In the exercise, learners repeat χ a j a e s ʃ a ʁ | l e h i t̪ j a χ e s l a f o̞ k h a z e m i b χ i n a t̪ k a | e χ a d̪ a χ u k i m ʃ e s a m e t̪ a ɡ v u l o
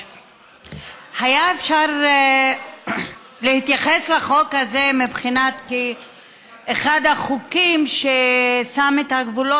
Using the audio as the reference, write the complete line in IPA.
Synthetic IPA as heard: h a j a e f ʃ a ʁ | l e h i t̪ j a χ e s l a χ o̞ k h a z e m i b χ i n a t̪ k i | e χ a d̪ a χ u k i m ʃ e s a m e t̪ a ɡ v u l o